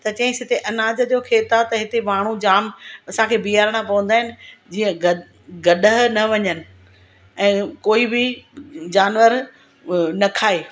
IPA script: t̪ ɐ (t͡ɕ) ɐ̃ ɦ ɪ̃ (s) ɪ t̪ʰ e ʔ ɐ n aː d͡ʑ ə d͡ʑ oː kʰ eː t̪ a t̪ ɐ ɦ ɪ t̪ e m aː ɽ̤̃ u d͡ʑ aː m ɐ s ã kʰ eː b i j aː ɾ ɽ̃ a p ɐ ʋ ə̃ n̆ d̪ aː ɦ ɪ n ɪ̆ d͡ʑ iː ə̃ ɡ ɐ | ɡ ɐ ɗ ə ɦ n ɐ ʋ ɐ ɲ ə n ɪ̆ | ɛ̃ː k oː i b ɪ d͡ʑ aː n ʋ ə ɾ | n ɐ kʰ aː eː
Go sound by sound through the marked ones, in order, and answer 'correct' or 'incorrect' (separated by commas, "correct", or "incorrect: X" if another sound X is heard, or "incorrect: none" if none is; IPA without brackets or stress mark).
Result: correct, correct